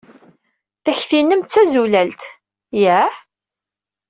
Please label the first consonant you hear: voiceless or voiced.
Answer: voiceless